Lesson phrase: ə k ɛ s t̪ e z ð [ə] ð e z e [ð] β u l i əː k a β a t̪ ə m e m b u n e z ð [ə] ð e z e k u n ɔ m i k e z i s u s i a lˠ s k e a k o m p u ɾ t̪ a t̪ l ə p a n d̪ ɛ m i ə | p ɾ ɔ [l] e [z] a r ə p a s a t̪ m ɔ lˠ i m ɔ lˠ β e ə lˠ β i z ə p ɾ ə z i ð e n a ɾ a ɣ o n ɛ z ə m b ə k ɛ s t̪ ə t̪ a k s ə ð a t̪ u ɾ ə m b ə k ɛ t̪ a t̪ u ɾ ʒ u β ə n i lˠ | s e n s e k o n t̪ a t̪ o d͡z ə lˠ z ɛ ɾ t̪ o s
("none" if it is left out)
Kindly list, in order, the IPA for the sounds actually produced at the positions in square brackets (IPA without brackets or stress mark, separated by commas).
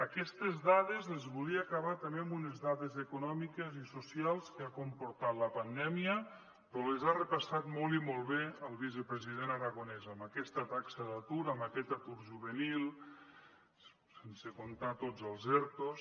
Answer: a, z, a, l, z